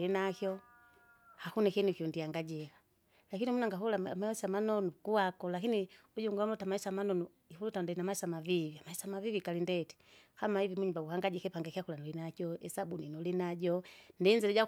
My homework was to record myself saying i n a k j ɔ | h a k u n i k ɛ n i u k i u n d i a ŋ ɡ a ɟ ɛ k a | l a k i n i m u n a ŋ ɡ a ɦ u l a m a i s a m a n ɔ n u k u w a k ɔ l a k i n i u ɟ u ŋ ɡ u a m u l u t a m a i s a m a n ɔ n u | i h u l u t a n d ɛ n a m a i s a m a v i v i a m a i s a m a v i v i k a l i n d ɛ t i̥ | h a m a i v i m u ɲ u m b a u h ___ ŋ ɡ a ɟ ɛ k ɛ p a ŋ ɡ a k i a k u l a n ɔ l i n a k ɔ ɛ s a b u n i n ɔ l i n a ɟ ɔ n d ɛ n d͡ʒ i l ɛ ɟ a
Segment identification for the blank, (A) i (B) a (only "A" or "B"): B